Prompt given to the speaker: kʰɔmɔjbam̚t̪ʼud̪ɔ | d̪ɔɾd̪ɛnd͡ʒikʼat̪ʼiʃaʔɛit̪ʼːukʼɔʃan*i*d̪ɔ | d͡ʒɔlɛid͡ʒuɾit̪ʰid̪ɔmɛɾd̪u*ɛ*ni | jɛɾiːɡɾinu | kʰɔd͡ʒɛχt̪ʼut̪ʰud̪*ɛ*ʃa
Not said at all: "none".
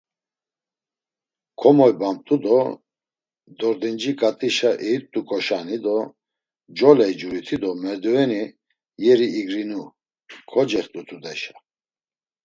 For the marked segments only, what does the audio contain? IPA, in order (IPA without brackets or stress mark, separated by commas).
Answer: i, ɛ, ɛ